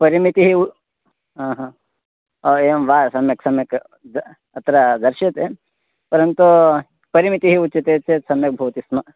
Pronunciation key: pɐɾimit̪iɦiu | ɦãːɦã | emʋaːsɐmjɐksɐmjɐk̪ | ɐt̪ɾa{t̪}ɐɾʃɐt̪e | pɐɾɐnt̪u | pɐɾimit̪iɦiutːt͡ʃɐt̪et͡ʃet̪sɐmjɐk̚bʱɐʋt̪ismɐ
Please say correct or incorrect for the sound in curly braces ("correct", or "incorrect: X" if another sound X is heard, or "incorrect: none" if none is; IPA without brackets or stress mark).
incorrect: d̪